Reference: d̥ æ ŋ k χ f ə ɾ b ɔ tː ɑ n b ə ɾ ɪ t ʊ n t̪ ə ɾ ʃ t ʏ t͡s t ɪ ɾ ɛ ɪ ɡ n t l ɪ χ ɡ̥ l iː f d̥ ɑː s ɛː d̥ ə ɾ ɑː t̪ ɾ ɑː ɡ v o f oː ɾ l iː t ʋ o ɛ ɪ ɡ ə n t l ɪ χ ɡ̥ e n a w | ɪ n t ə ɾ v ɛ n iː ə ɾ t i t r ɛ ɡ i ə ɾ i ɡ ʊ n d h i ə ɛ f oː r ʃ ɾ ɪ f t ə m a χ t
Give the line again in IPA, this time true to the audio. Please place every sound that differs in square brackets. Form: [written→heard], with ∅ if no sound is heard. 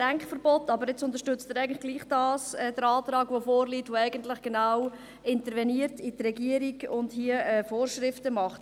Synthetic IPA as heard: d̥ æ ŋ k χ f ə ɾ b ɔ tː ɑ [n→∅] b ə ɾ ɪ [t→t͡s] ʊ n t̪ ə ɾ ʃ t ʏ t͡s t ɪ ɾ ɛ ɪ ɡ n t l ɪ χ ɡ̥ l iː [f→χ] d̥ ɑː s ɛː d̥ ə ɾ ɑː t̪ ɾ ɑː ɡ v o f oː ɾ l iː t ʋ o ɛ ɪ ɡ ə n t l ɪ χ ɡ̥ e n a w | ɪ n t ə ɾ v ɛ n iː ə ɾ t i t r ɛ ɡ i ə ɾ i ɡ ʊ n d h i ə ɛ f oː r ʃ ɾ ɪ f t ə m [a→ɑ] χ t